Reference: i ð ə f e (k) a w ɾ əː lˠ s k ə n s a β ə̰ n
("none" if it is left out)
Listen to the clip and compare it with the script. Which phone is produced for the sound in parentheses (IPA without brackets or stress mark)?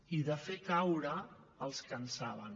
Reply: k